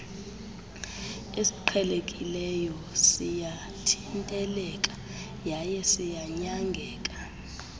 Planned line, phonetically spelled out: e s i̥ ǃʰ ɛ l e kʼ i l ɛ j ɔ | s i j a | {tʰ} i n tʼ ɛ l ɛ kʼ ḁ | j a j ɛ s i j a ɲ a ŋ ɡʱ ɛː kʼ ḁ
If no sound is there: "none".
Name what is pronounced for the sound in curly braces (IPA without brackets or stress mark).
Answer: tʰ